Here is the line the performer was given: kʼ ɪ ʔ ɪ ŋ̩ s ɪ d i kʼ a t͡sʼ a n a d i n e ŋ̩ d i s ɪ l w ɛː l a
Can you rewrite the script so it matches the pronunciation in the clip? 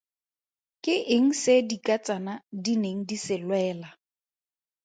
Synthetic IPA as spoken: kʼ ɪ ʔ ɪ ŋ̩ s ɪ d i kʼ a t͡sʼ a n a d i n e ŋ̩ d i s ɪ l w ɛː l a